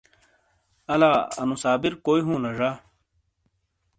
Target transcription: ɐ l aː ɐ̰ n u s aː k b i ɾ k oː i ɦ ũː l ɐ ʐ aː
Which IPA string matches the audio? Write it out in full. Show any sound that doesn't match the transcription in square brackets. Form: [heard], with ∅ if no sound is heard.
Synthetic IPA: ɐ l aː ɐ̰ n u s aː [∅] b i ɾ k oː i ɦ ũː l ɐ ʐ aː